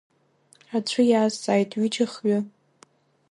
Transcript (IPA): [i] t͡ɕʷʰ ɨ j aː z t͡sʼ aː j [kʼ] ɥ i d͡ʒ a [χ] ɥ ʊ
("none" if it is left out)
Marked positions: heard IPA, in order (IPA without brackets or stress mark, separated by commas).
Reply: a, tʼ, χ